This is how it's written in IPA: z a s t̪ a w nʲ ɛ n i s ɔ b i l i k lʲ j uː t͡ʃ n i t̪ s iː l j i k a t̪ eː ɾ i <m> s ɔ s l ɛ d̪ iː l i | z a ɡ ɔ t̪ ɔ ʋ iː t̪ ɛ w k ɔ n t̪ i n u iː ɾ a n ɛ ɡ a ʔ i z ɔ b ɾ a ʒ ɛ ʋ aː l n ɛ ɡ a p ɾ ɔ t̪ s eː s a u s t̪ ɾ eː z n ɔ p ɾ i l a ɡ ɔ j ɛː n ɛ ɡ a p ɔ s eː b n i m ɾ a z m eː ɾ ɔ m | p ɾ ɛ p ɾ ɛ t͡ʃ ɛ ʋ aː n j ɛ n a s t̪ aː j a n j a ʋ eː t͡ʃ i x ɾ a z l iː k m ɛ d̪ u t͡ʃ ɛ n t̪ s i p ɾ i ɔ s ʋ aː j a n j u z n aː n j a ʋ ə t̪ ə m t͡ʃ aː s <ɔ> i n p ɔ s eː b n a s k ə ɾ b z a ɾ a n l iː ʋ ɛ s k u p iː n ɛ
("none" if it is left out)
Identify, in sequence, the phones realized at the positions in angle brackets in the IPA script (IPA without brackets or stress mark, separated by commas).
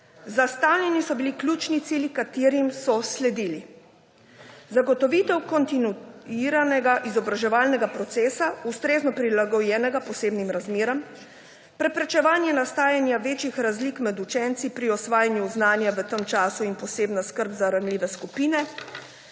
m, u